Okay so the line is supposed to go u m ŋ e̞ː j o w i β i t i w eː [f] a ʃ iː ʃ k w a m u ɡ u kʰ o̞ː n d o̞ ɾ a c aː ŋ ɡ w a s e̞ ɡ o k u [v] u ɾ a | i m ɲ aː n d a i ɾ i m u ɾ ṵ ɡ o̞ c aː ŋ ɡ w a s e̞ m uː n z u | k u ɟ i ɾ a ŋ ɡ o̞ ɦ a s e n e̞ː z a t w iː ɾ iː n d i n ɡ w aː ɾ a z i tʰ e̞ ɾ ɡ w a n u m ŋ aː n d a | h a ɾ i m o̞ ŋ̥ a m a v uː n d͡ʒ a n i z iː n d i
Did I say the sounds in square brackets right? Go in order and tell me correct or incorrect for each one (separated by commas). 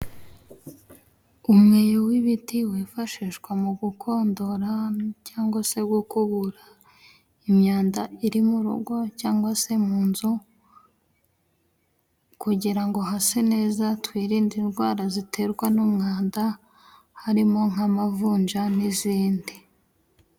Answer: correct, incorrect